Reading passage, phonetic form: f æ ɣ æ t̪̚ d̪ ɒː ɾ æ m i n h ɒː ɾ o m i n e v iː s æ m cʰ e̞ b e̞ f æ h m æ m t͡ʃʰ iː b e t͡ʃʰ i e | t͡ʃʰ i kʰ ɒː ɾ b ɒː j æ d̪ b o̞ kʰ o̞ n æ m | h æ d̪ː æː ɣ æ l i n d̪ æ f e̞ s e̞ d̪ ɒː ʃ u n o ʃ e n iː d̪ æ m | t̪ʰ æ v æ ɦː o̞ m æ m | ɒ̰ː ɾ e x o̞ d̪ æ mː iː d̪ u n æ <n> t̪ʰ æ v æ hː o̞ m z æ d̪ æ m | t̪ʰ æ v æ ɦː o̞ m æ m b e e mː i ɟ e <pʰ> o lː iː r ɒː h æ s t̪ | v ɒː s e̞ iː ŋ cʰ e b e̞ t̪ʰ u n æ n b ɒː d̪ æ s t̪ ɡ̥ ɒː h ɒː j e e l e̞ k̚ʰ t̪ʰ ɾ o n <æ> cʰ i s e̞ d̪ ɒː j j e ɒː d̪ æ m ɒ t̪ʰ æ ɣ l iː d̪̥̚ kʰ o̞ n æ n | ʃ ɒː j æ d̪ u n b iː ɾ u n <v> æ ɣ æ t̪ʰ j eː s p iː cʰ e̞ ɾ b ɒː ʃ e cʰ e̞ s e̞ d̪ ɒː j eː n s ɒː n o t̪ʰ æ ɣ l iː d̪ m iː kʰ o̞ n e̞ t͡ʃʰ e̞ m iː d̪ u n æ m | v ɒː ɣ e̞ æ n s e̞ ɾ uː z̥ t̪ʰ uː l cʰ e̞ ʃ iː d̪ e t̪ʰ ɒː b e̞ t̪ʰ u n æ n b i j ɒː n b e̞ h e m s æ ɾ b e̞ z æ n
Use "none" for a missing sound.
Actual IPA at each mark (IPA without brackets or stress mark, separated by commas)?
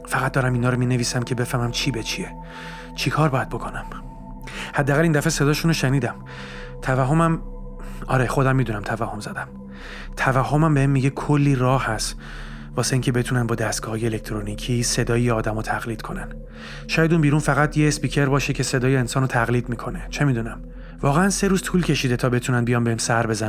m, kʰ, i, f